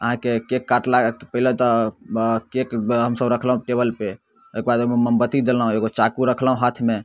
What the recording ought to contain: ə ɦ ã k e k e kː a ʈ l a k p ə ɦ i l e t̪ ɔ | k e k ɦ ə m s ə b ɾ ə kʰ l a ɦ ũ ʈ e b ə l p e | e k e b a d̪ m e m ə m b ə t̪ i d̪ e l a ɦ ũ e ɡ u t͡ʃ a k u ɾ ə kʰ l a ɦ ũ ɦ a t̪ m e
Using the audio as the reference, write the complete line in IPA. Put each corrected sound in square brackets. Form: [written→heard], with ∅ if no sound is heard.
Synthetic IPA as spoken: ə ɦ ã k e k e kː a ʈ l a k p ə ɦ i l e t̪ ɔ | k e k ɦ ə m s ə b ɾ ə kʰ l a ɦ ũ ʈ e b ə l p e | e k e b a d̪ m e m ə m b ə t̪ i d̪ e l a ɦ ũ e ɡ [u→o] t͡ʃ a k u ɾ ə kʰ l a ɦ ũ ɦ a [t̪→t̪ʰ] m e